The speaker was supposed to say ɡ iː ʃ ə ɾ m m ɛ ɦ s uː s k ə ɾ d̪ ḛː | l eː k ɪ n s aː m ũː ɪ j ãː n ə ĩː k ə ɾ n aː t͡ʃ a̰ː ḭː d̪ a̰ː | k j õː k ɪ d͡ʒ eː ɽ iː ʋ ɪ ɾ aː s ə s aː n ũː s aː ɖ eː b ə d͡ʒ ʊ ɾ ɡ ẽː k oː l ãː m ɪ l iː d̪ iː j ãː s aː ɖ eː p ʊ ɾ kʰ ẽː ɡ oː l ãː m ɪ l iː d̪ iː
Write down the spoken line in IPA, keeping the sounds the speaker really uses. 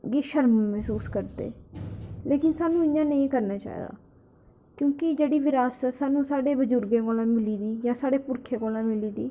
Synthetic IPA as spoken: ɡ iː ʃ ə ɾ m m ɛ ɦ s uː s k ə ɾ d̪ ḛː | l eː k ɪ n s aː n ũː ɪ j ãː n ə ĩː k ə ɾ n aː t͡ʃ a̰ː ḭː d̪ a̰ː | k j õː k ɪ d͡ʒ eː ɽ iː ʋ ɪ ɾ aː s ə s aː n ũː s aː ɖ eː b ə d͡ʒ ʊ ɾ ɡ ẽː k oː l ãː m ɪ l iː d̪ iː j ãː s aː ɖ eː p ʊ ɾ kʰ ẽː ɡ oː l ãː m ɪ l iː d̪ iː